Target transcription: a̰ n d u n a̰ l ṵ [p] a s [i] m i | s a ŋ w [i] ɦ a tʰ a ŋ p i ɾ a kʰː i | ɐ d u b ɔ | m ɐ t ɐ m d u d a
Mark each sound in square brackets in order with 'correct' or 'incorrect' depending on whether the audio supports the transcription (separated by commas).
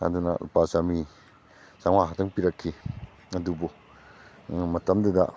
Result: correct, incorrect, incorrect